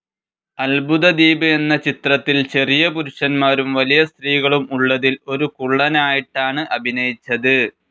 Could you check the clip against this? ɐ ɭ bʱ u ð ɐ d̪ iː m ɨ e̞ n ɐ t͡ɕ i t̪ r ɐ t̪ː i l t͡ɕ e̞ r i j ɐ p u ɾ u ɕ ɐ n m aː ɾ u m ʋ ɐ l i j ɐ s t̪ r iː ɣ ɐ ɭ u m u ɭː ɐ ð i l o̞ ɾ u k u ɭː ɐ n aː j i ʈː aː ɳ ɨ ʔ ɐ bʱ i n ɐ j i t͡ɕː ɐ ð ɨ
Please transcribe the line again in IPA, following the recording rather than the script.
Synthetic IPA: ɐ l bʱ u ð ɐ d̪ iː b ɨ e̞ nː ɐ t͡ɕ i t̪ r ɐ t̪ː i l t͡ɕ e̞ r i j ɐ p u ɾ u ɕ ɐ n m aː ɾ u m ʋ ɐ l i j ɐ s t̪ r iː ɣ ɐ ɭ u m u ɭː ɐ ð i l o̞ ɾ u k u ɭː ɐ n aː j i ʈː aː ɳ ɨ ʔ ɐ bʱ i n ɐ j i t͡ɕː ɐ ð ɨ